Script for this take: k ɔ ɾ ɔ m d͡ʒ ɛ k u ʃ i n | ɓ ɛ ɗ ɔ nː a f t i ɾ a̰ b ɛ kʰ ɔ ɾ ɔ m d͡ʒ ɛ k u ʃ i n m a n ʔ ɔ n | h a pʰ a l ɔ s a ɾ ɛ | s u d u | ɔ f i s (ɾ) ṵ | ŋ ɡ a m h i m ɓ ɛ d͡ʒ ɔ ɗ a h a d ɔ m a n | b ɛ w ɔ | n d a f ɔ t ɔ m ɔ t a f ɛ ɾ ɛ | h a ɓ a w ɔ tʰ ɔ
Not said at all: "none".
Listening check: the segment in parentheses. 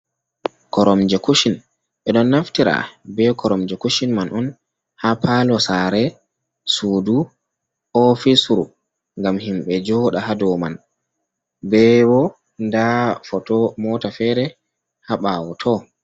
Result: ɾ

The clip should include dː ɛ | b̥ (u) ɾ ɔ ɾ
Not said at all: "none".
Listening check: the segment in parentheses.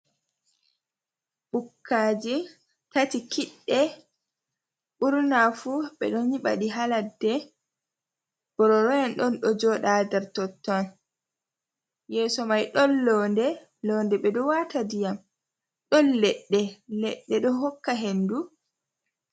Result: ɔ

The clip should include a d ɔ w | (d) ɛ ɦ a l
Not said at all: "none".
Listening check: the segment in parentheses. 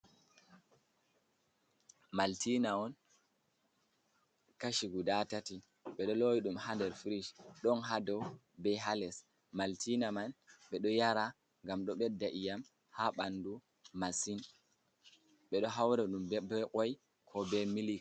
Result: b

